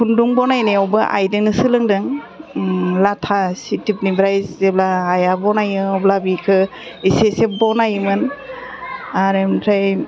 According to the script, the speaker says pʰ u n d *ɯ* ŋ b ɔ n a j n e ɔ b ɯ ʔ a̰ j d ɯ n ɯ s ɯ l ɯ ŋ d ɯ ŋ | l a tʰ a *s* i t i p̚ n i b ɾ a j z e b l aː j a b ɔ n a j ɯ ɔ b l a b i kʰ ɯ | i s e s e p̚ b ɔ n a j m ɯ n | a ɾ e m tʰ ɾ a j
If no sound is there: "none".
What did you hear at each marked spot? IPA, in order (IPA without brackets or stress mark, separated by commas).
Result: u, s